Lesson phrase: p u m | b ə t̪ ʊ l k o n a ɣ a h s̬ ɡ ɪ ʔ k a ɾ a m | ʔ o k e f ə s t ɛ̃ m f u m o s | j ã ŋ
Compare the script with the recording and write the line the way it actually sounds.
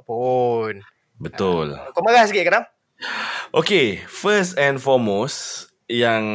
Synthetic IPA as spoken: p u n | b ə t̪ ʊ l k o m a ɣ a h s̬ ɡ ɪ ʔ k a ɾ a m | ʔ o k e f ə s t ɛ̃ n f ɔ m o s | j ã ŋ